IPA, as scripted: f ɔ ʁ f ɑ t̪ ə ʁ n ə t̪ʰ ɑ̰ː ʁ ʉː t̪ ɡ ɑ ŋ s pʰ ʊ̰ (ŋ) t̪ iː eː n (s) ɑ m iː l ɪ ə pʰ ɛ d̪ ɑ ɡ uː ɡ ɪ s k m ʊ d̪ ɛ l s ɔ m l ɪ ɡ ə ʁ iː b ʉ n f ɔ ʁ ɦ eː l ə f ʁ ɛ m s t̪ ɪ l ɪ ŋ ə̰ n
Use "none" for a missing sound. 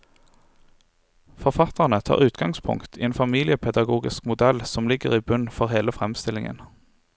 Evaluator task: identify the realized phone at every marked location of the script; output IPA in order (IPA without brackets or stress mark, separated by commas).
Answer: ŋ, f